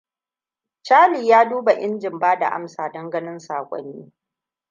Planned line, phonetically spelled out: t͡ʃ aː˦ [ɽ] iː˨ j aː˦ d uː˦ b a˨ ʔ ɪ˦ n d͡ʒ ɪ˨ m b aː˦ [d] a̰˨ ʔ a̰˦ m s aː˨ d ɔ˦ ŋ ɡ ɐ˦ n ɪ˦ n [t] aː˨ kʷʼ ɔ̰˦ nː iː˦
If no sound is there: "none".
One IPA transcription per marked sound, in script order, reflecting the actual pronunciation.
l, d, s

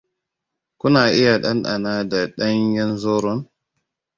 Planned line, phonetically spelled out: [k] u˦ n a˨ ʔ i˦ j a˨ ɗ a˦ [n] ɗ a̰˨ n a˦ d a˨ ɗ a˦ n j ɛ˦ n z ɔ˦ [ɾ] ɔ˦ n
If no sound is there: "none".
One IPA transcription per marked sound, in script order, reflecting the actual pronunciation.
k, n, ɾ

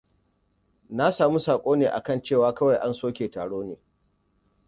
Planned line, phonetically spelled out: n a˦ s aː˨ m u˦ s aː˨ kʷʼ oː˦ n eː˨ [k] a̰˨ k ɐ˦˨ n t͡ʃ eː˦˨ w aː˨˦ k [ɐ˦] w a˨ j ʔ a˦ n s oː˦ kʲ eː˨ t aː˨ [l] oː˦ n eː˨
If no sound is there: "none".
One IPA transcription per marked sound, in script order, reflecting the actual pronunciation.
ʔ, ɐ˦, ɽ

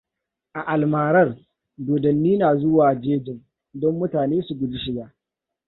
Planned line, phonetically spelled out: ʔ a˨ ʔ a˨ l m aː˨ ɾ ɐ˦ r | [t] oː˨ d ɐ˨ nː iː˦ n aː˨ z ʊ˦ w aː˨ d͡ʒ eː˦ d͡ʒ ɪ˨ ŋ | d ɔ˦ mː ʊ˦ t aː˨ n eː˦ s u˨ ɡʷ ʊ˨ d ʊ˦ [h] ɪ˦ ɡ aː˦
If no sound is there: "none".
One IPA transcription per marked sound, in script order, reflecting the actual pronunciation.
d, ʃ

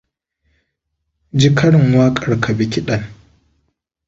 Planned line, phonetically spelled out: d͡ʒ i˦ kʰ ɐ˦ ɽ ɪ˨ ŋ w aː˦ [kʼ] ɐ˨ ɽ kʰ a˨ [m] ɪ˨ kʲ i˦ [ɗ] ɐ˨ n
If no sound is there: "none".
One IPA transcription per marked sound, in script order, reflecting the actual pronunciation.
kʼ, b, ɗ

